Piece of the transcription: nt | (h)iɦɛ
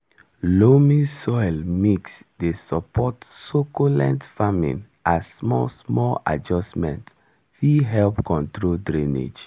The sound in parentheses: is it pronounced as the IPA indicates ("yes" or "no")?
no